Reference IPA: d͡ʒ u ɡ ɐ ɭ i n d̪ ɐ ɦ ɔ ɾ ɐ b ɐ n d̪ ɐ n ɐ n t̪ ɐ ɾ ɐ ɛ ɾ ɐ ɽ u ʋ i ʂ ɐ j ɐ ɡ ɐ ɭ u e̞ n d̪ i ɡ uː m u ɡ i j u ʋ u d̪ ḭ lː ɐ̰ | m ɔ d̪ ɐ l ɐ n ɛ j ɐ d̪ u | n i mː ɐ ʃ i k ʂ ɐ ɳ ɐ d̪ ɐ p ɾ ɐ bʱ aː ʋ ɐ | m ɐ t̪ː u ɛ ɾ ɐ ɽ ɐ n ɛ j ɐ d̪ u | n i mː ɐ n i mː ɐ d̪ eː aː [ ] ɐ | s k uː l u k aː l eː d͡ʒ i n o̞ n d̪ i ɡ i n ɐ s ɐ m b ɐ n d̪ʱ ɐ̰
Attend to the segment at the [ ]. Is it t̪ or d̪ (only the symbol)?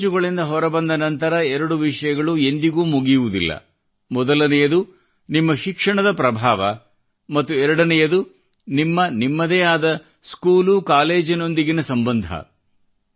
d̪